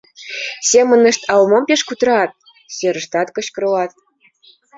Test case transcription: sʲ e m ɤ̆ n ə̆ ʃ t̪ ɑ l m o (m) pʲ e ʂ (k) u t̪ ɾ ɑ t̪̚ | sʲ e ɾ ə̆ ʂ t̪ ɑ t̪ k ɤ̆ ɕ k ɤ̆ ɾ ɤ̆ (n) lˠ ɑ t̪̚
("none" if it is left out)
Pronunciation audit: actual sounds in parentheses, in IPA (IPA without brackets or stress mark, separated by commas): m, k, none